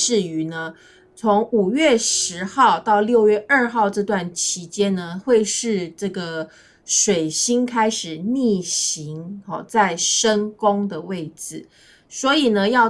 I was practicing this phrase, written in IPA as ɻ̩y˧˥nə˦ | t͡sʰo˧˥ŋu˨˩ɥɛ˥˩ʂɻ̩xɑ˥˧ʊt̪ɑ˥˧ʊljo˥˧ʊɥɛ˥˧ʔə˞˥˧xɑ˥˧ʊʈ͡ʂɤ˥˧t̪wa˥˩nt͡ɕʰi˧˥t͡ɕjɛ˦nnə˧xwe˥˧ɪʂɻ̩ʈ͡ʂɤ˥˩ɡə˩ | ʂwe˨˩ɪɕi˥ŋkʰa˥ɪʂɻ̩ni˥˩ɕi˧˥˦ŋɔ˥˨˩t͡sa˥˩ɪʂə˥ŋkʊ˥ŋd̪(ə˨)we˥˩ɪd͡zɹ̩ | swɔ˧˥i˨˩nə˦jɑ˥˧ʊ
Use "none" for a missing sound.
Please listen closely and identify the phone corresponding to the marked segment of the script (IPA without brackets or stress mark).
ə˨